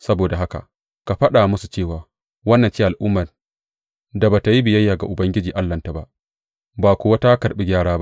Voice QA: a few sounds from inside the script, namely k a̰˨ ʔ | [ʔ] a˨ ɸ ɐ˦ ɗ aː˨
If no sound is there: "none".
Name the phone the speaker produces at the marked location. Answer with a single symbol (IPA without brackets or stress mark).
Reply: k